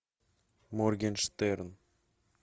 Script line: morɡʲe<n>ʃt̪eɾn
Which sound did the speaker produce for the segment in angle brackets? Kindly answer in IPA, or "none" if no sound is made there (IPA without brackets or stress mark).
n